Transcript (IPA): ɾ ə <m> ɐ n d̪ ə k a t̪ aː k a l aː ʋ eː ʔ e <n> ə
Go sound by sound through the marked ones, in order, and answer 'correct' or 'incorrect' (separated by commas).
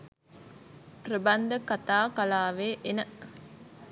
incorrect, correct